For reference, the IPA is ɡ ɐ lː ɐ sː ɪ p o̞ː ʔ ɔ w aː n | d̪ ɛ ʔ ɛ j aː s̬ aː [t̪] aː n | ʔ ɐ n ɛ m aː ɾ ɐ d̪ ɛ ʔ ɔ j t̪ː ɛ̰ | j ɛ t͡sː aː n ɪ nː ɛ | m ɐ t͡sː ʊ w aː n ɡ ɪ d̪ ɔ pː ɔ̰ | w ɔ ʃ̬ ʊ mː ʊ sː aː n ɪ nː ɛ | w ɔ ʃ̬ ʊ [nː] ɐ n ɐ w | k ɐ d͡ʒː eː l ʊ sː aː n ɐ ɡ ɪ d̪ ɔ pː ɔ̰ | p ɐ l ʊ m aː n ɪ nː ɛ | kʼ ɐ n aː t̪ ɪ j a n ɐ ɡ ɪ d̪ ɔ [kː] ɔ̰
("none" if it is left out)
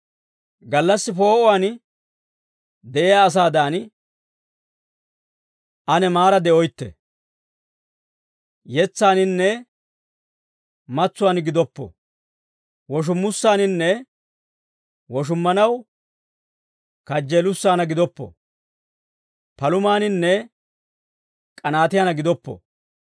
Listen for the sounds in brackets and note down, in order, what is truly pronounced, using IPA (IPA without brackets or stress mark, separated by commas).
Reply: d̪, mː, pː